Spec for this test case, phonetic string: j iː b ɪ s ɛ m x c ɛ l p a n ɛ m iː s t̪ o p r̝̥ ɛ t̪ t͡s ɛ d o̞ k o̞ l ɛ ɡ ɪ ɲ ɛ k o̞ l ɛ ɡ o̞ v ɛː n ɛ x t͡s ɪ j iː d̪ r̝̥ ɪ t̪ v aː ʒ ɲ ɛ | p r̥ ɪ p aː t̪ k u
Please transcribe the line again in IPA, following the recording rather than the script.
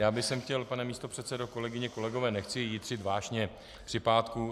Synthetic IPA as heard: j aː b ɪ s ɛ m x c ɛ l p a n ɛ m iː s t̪ o p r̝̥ ɛ t̪ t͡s ɛ d o̞ k o̞ l ɛ ɡ ɪ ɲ ɛ k o̞ l ɛ ɡ o̞ v ɛː n ɛ x t͡s ɪ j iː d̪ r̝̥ ɪ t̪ v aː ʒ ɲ ɛ | p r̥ ɪ p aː t̪ k u

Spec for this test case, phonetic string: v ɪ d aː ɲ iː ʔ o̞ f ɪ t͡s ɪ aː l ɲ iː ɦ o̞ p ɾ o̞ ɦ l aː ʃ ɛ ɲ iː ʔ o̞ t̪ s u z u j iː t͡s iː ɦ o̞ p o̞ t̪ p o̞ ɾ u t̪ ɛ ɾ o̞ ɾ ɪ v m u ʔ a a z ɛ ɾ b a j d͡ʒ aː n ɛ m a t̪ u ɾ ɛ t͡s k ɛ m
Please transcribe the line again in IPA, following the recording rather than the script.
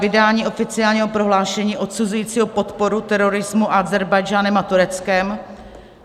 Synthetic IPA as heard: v ɪ d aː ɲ iː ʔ o̞ f ɪ t͡s ɪ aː l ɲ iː ɦ o̞ p ɾ o̞ ɦ l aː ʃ ɛ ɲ iː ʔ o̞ t̪ s u z u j iː t͡s iː ɦ o̞ p o̞ t̪ p o̞ ɾ u t̪ ɛ ɾ o̞ ɾ ɪ z m u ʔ a a z ɛ ɾ b a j d͡ʒ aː n ɛ m a t̪ u ɾ ɛ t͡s k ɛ m

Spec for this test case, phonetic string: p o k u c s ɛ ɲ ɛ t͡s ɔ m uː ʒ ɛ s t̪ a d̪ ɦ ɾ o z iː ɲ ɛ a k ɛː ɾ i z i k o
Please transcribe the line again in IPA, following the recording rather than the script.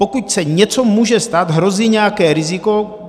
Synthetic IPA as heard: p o k u c s ɛ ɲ ɛ t͡s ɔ m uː ʒ ɛ s t̪ a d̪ ɦ ɾ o z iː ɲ ɛ a k ɛː ɾ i z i k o

